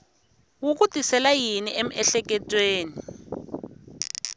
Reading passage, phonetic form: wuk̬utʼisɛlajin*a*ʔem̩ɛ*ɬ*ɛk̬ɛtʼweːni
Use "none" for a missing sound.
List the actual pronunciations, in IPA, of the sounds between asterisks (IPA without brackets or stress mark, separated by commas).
i, ɬ